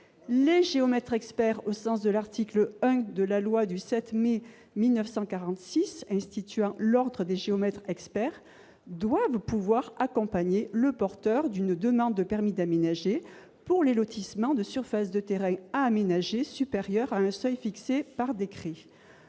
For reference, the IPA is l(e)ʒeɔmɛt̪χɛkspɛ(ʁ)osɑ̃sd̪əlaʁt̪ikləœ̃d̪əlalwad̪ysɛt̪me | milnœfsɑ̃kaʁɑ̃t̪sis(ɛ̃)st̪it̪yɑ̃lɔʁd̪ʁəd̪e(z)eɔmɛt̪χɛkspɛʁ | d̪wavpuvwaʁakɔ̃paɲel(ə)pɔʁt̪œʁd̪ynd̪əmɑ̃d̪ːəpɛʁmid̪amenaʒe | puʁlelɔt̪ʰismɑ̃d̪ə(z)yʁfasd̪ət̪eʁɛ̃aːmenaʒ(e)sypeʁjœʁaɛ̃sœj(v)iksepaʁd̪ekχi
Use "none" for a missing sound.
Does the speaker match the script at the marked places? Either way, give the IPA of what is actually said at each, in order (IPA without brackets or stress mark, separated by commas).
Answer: e, ʁ, ɛ̃, ʒ, ə, s, e, f